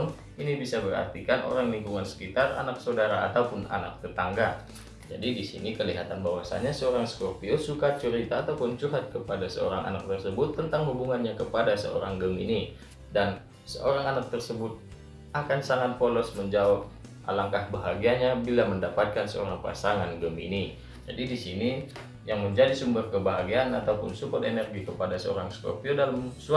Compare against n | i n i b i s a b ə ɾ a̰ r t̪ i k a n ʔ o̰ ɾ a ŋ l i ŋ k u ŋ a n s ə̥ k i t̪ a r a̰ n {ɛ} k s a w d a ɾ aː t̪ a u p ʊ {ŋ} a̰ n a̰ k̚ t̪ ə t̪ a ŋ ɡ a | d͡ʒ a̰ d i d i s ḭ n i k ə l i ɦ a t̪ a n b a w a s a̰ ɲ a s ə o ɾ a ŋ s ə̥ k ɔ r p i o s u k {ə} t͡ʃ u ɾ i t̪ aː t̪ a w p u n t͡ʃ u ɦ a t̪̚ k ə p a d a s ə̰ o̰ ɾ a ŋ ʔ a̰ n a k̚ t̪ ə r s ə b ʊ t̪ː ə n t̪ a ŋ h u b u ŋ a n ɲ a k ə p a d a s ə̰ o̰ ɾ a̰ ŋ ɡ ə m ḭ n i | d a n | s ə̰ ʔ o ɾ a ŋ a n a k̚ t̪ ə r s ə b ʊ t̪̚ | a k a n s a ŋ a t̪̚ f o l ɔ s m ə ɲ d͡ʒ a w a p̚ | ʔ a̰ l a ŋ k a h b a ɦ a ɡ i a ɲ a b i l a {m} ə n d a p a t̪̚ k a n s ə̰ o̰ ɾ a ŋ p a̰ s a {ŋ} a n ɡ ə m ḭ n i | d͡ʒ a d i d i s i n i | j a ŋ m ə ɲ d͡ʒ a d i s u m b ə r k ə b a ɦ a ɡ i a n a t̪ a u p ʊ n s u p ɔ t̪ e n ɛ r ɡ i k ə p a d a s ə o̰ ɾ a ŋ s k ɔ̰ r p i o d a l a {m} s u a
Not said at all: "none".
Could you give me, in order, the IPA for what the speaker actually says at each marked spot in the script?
a, n, a, m, ŋ, m

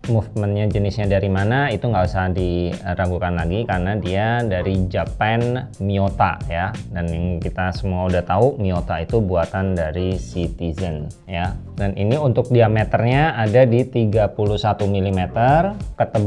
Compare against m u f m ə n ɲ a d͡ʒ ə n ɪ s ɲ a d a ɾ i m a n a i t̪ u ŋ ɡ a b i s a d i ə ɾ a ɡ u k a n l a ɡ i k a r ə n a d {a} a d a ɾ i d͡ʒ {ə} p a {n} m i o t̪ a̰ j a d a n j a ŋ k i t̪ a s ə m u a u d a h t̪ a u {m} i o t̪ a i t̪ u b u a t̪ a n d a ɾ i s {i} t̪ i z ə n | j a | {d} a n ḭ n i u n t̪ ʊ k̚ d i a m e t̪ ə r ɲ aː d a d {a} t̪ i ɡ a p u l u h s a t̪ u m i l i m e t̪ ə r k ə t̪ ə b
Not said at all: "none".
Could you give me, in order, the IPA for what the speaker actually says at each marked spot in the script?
i, a, n, m, i, d, i

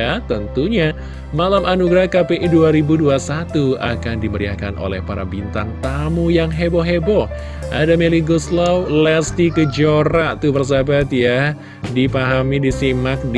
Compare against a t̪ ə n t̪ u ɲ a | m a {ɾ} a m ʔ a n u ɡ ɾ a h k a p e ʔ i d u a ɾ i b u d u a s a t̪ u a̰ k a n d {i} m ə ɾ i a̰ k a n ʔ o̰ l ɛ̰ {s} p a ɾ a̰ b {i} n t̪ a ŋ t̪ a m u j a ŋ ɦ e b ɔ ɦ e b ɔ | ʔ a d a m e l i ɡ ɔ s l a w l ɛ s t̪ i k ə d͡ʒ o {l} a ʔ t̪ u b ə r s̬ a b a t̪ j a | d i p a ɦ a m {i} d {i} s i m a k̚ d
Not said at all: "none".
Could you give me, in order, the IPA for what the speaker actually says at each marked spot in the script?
l, i, h, i, ɾ, i, i

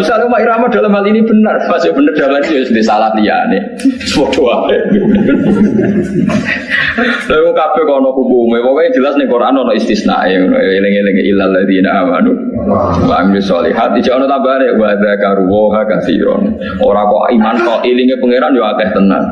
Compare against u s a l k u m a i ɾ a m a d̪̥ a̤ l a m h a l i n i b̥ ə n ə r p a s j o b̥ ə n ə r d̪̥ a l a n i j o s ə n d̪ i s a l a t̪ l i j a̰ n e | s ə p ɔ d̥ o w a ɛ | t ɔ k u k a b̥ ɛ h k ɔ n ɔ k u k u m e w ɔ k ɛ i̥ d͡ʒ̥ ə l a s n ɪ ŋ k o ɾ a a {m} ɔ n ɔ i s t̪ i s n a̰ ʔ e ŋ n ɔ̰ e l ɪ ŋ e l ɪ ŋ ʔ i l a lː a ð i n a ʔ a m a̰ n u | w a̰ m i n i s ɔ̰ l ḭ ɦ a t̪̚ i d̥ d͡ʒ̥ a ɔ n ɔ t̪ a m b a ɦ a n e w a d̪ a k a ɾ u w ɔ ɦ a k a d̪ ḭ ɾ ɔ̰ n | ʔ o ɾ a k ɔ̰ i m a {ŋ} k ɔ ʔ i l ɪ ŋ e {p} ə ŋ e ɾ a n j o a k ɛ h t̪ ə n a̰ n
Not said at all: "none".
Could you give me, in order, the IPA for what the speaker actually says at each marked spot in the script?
n, n, p

